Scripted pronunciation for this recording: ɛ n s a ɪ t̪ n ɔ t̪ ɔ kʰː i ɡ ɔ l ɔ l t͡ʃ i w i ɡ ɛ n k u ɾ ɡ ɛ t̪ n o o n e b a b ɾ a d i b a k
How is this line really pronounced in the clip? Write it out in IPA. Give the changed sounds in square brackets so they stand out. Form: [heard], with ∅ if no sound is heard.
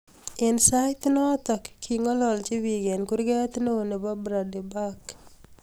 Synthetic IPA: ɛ n s a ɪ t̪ n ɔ t̪ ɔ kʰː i [ŋ] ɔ l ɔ l t͡ʃ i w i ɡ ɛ n k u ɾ ɡ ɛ t̪ n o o n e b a b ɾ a d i b a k